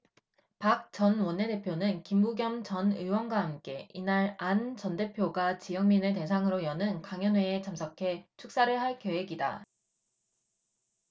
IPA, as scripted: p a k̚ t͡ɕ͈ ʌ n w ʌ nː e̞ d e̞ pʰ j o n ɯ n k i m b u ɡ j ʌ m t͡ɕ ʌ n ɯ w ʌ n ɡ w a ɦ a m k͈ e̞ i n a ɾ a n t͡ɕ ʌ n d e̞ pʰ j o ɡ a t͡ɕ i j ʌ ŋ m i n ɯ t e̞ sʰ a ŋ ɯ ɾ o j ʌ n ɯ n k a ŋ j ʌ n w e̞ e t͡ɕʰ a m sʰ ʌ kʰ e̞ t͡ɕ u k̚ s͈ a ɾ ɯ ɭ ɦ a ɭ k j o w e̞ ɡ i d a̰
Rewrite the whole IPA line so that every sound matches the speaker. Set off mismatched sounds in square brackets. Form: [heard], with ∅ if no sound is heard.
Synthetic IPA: p a k̚ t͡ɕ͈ ʌ n w ʌ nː e̞ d e̞ pʰ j o n ɯ n k i m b u ɡ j ʌ m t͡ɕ ʌ n ɯ w ʌ n ɡ w a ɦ a m k͈ e̞ i n a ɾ a n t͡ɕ ʌ n d e̞ pʰ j o ɡ a t͡ɕ i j ʌ ŋ m i n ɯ t e̞ sʰ a ŋ ɯ ɾ o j ʌ n ɯ n k a ŋ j ʌ n w e̞ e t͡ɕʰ a m sʰ ʌ kʰ e̞ [t͡ɕʰ] u k̚ s͈ a ɾ ɯ ɭ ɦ a ɭ k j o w e̞ ɡ i d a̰